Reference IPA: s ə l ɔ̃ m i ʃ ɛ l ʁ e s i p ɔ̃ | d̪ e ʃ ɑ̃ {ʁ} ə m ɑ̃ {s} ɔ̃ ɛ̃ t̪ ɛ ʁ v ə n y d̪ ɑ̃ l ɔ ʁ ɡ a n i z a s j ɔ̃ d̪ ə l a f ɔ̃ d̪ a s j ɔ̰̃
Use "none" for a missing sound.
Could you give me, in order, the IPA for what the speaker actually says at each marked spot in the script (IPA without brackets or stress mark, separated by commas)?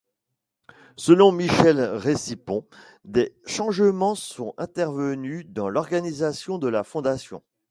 ʒ, s